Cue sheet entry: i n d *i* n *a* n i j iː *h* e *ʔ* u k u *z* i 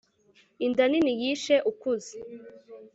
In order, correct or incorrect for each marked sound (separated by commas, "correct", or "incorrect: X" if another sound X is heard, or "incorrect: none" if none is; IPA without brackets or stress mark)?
incorrect: a, incorrect: i, incorrect: ʃ, correct, correct